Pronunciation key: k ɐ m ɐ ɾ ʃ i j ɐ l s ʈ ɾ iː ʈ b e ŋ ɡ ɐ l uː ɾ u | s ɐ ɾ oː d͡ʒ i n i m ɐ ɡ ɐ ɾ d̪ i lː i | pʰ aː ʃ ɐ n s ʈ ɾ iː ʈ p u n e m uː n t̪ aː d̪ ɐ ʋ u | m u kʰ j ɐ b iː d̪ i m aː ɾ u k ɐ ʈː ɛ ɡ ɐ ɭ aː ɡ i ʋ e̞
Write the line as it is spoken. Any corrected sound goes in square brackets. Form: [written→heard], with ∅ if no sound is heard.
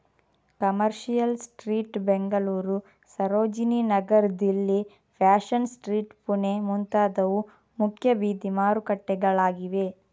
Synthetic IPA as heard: k ɐ m ɐ ɾ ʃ i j ɐ l s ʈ ɾ iː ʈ b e ŋ ɡ ɐ l uː ɾ u | s ɐ ɾ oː d͡ʒ i n i [m→n] ɐ ɡ ɐ ɾ d̪ i lː i | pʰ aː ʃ ɐ n s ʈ ɾ iː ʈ p u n e m [uː→u] n t̪ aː d̪ ɐ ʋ u | m u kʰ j ɐ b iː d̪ i m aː ɾ u k ɐ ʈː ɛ ɡ ɐ ɭ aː ɡ i ʋ e̞